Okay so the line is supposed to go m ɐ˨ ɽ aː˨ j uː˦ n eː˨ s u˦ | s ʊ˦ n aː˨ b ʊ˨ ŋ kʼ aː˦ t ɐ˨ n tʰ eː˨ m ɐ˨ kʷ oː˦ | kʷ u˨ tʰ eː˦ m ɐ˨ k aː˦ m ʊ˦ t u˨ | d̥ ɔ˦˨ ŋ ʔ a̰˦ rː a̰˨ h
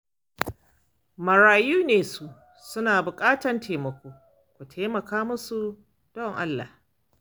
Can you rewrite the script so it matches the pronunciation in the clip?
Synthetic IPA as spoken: m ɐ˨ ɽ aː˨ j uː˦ n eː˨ s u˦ | s ʊ˦ n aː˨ b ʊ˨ kʼ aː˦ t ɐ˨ n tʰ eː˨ m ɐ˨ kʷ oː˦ | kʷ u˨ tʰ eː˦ m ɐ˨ k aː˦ m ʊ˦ s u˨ | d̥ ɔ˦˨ ŋ ʔ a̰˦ lː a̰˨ h